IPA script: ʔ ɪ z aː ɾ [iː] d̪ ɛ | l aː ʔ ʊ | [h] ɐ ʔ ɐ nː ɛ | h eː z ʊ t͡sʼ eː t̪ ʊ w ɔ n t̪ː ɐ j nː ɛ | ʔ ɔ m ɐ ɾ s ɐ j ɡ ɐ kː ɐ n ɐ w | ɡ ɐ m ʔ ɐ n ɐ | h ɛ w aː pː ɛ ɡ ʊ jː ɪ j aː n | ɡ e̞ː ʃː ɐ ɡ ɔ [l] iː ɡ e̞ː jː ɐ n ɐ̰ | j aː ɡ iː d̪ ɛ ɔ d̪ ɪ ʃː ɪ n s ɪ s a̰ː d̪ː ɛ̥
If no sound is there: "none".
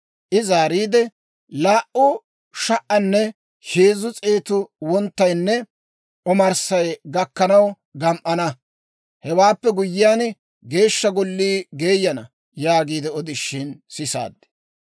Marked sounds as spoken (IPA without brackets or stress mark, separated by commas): iː, ʃ, lː